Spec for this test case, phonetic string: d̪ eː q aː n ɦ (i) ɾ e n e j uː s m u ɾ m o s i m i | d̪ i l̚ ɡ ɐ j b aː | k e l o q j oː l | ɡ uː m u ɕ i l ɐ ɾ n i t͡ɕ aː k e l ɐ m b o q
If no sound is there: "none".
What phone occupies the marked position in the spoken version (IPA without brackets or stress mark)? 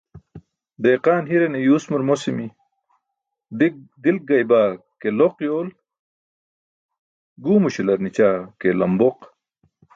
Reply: i